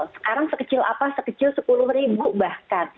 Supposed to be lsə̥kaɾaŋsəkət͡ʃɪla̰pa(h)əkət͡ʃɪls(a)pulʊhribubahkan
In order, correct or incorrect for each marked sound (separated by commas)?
incorrect, incorrect